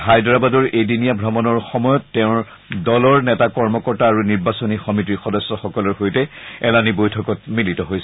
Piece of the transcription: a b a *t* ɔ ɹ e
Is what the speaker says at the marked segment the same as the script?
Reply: no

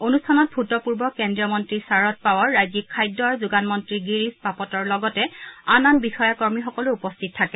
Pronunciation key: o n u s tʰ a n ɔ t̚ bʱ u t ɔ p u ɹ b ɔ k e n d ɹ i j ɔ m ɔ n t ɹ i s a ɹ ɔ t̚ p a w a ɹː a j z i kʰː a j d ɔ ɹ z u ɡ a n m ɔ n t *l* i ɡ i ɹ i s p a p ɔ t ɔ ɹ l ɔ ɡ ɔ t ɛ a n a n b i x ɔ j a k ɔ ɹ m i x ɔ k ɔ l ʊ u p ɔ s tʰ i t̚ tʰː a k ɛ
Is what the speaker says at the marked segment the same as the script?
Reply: no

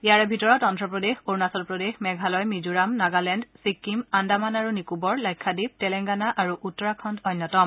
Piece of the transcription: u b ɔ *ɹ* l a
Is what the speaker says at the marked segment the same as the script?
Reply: yes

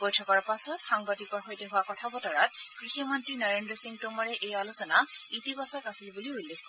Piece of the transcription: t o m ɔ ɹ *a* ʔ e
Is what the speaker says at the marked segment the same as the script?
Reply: no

